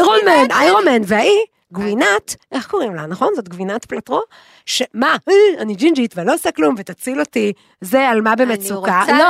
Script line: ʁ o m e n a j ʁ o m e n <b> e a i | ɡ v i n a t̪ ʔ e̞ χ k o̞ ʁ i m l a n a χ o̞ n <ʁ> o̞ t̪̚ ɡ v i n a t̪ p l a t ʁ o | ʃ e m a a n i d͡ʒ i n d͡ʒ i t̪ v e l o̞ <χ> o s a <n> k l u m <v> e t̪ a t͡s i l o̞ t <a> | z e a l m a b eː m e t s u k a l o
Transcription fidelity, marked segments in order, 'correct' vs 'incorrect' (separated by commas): incorrect, incorrect, incorrect, incorrect, correct, incorrect